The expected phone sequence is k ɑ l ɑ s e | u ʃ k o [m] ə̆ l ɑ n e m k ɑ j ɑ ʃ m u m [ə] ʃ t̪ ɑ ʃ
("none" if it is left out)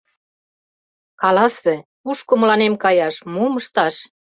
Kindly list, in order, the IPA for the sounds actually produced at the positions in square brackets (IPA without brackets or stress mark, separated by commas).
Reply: m, ə